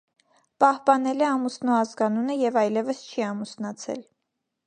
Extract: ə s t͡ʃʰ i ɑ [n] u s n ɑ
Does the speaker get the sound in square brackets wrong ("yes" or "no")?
yes